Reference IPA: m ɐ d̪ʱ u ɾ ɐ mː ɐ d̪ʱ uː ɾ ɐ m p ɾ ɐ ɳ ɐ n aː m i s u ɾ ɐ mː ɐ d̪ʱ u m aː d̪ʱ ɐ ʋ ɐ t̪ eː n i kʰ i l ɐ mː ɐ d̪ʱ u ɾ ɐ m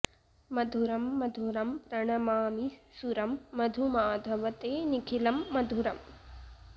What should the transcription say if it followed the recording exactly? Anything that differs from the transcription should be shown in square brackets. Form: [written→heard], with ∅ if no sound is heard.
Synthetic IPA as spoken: m ɐ d̪ʱ u ɾ ɐ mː ɐ d̪ʱ [uː→u] ɾ ɐ m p ɾ ɐ ɳ ɐ [n→m] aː m i s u ɾ ɐ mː ɐ d̪ʱ u m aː d̪ʱ ɐ ʋ ɐ t̪ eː n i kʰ i l ɐ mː ɐ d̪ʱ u ɾ ɐ m